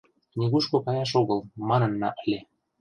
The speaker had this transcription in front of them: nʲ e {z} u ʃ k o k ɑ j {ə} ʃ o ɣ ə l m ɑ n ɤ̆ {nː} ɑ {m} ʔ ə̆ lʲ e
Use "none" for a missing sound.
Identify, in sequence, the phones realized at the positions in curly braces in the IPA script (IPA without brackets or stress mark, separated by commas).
ɣ, ɑ, nː, none